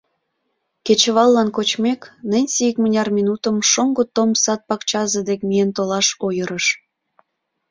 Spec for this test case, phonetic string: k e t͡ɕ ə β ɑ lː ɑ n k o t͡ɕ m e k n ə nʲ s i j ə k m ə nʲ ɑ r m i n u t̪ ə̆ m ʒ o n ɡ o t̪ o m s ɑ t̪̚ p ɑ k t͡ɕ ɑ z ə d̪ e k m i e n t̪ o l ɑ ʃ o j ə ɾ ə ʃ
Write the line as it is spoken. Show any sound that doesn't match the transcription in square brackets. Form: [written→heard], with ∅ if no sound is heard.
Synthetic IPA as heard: k e t͡ɕ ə β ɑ lː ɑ n k o t͡ɕ m e k n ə nʲ s i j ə k m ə nʲ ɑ r m i n u t̪ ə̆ m [ʒ→ʃ] o [n→ŋ] ɡ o t̪ o m s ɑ t̪̚ p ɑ k t͡ɕ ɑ z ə d̪ e k m i e n t̪ o l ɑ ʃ o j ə ɾ ə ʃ